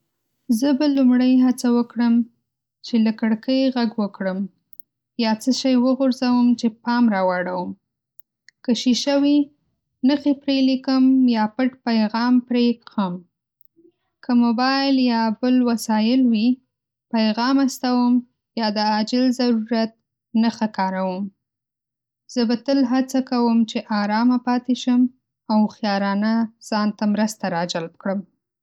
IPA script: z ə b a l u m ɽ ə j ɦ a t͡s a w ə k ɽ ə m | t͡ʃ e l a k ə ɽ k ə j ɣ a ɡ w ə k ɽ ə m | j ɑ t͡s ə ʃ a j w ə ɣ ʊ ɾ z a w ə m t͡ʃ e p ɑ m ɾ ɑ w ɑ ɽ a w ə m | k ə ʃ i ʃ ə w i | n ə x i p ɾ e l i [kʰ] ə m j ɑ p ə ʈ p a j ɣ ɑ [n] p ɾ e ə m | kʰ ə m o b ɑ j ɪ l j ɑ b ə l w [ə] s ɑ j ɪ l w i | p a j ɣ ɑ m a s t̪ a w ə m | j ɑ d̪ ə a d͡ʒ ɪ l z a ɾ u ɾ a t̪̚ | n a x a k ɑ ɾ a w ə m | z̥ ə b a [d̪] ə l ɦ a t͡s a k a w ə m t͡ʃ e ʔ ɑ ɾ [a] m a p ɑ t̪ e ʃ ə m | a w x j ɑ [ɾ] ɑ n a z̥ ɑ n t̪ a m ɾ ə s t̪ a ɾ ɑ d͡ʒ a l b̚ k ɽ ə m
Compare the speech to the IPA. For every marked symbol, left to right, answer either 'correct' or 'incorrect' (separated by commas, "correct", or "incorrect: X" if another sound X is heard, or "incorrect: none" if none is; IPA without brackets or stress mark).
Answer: incorrect: k, incorrect: m, incorrect: a, incorrect: t̪, incorrect: ɑ, correct